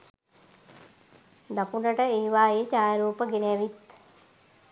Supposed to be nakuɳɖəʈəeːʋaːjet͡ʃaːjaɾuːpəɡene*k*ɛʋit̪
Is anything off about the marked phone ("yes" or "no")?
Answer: yes